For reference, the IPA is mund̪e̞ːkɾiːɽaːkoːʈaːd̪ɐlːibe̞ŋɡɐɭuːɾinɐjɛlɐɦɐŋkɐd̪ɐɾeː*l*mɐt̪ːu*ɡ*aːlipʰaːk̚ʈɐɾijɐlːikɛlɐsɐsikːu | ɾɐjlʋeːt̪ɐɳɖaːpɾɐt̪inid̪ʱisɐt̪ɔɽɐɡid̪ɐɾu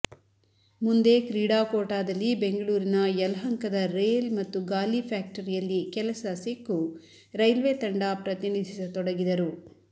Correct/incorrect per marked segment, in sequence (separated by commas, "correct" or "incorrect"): correct, correct